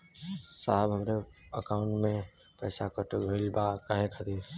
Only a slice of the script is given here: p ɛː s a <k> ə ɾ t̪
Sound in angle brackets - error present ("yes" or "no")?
no